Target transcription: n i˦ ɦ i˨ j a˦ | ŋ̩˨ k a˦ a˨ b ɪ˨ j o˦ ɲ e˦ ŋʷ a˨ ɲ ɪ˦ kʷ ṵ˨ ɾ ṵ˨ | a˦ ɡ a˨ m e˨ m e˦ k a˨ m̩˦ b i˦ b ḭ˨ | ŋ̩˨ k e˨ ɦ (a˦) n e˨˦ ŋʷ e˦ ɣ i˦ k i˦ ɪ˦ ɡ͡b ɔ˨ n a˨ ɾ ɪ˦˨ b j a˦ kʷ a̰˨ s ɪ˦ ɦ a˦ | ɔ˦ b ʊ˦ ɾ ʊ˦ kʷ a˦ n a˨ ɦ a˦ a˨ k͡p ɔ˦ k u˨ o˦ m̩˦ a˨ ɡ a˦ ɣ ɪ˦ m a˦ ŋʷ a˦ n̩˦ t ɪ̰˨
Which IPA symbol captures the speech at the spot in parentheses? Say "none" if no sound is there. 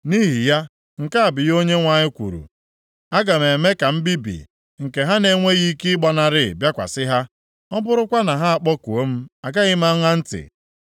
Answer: a˦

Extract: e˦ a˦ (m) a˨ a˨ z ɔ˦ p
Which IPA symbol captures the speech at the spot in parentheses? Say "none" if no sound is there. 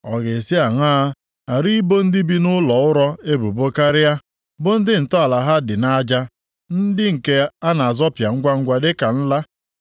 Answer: n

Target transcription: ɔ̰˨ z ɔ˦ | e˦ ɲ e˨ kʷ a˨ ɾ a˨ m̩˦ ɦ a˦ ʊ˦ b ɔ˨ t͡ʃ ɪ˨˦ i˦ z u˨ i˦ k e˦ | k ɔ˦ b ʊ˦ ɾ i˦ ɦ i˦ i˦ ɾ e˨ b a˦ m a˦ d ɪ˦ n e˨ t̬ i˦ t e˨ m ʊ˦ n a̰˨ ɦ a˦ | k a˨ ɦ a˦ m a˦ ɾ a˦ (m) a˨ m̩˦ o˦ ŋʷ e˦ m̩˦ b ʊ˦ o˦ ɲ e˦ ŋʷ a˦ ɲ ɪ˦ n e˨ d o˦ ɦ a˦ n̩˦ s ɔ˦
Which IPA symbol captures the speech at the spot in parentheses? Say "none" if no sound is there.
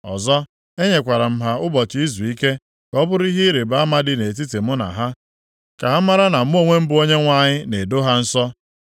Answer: n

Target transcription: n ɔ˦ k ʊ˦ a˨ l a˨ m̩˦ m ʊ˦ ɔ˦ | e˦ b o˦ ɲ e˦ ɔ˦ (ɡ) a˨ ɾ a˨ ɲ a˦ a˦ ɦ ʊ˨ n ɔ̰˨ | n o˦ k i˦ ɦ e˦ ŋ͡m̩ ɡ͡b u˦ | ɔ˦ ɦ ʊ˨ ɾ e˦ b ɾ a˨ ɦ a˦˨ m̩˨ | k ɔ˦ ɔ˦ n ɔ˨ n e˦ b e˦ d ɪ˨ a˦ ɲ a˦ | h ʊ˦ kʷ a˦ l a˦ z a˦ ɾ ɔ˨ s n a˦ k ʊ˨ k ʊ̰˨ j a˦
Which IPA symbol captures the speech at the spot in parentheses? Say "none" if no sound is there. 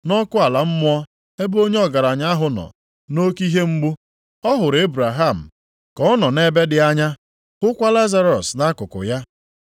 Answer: ɡ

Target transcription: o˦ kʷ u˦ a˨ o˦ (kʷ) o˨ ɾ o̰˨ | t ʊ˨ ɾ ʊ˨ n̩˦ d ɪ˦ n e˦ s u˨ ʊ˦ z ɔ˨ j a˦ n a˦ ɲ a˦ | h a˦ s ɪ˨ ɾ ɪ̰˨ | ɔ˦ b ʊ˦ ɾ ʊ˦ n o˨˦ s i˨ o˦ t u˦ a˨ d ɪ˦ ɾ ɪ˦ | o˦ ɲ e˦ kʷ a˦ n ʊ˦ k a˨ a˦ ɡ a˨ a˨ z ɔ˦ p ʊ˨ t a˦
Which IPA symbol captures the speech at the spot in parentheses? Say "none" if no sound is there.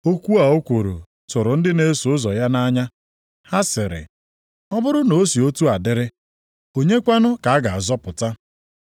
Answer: kʷ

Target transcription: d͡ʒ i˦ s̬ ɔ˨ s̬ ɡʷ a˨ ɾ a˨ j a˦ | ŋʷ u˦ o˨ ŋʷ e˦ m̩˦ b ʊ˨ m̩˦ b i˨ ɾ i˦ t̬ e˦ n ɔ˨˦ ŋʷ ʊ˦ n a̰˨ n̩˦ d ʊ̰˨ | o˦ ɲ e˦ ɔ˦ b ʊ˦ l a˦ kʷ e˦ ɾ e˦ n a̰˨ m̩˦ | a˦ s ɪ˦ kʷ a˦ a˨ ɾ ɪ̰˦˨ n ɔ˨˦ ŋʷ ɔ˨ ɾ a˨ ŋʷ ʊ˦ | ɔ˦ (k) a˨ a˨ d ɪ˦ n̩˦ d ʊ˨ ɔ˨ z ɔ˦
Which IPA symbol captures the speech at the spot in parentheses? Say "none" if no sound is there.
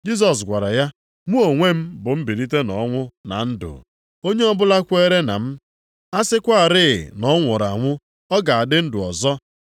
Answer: ɡ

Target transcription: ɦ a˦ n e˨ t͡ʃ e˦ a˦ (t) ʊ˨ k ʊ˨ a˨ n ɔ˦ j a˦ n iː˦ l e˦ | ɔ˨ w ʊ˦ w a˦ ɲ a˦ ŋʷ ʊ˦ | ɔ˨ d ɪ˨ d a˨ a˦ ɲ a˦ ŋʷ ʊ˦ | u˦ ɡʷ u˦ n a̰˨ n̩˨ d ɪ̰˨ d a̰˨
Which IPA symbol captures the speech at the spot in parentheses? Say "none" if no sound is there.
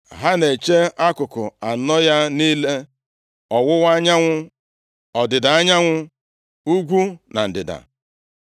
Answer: k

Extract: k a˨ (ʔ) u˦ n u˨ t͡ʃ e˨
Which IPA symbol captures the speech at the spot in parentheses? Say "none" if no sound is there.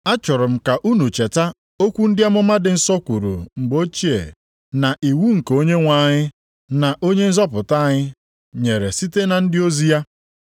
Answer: ʔ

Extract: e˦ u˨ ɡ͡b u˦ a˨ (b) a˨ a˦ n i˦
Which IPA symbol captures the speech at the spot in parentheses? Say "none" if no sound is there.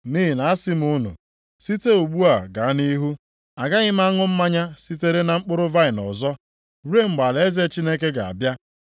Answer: ɡ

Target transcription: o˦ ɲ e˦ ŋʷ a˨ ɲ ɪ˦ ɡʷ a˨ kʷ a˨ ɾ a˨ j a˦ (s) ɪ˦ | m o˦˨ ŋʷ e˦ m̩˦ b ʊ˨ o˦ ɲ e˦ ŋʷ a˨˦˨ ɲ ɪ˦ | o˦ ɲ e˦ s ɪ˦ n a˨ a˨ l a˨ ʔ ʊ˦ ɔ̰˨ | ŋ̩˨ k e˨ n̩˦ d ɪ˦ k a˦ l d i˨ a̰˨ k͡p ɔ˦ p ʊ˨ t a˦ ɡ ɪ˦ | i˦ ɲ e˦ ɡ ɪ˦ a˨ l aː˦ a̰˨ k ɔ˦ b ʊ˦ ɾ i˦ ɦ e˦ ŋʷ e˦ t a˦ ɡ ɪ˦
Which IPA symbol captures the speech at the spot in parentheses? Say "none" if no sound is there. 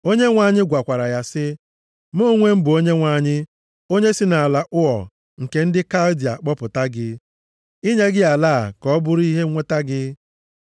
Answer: s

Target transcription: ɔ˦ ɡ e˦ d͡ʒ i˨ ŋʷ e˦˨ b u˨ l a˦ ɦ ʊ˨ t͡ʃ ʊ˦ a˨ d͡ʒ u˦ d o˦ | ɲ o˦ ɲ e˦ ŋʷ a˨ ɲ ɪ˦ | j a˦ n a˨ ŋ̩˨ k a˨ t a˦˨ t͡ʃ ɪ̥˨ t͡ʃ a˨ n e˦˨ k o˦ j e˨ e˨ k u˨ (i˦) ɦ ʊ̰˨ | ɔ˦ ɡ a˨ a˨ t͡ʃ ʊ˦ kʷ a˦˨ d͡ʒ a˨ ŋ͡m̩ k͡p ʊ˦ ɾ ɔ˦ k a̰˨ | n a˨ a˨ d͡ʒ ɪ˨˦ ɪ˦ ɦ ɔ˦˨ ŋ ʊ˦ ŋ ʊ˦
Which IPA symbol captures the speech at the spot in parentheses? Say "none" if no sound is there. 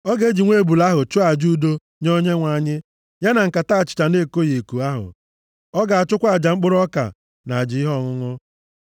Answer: a˦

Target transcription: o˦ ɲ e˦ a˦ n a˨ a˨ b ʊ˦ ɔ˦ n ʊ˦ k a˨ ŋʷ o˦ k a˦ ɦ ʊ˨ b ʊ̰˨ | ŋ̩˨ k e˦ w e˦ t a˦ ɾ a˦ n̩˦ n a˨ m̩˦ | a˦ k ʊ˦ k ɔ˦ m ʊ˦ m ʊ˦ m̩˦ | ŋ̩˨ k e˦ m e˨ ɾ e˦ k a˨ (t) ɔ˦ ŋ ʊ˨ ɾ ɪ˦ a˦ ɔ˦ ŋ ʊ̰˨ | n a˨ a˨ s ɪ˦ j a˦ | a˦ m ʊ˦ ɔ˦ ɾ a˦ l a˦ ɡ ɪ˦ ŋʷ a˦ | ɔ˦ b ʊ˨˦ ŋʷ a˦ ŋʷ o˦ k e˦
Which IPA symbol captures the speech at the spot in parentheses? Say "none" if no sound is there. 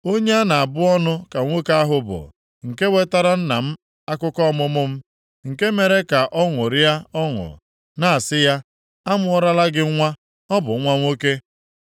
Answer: ʔ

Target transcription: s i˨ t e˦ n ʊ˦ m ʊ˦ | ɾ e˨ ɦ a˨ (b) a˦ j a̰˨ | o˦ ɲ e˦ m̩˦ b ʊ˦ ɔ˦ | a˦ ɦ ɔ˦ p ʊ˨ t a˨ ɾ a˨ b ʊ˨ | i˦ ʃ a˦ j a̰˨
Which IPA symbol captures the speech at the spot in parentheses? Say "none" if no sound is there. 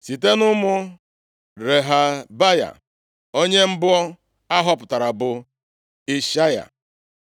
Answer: b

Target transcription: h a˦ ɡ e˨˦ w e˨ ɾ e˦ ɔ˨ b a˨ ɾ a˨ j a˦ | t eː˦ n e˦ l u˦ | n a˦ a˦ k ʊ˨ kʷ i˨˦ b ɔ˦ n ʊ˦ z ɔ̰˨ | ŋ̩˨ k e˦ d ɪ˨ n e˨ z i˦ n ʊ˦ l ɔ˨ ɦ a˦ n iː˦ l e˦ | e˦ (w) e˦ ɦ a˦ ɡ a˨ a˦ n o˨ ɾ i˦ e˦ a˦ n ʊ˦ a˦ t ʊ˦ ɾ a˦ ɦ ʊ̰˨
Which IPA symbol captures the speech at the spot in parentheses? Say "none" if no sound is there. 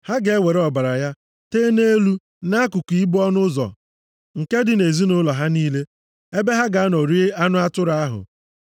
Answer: b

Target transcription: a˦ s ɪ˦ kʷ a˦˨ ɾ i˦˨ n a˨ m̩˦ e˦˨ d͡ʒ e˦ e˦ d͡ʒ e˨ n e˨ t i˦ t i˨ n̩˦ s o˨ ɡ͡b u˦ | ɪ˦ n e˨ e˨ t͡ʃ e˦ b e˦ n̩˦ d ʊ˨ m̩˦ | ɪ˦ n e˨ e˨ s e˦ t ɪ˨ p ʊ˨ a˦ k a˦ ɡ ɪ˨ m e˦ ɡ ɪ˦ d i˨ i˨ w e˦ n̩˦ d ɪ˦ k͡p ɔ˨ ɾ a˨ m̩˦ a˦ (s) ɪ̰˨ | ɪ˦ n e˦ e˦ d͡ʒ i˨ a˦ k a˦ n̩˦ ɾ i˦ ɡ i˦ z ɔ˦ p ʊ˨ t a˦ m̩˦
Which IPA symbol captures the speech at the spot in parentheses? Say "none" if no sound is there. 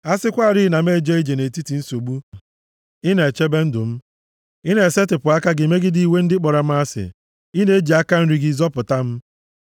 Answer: s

